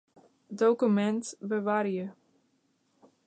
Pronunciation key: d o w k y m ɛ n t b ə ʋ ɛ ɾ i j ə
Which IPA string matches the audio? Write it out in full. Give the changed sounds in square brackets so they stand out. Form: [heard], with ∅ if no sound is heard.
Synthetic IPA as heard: d o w k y m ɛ n t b ə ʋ [a] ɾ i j ə